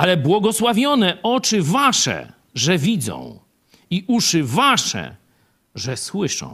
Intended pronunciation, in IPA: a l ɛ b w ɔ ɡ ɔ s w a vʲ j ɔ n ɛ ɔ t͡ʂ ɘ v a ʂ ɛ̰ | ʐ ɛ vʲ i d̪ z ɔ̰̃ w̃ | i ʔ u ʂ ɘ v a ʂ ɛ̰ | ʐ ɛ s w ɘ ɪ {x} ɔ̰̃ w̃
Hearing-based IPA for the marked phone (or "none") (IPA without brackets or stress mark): ʂ